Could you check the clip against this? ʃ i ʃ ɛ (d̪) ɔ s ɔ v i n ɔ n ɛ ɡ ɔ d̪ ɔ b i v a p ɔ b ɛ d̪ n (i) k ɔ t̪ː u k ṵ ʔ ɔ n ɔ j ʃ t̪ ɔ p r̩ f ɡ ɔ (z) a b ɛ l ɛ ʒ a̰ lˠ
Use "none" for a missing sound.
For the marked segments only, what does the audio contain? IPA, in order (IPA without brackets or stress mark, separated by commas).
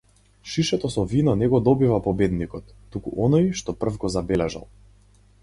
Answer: t̪, i, z